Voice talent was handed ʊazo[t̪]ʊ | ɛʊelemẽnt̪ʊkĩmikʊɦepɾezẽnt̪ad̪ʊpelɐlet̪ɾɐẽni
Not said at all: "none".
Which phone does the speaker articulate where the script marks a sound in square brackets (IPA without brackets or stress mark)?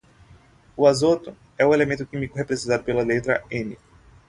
t̪